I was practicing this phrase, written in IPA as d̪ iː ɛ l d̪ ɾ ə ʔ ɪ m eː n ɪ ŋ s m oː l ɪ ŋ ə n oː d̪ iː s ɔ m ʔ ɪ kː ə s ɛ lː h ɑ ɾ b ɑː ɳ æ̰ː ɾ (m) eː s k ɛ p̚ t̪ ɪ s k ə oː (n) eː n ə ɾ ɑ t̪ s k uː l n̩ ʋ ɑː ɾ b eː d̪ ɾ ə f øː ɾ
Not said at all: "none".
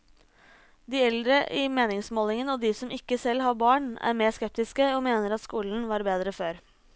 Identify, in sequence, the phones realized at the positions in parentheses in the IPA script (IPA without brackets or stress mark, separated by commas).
m, m